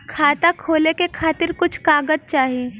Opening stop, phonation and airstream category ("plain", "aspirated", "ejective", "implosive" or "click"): aspirated